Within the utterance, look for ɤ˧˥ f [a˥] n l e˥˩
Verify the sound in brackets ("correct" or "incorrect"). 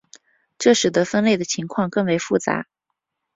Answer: incorrect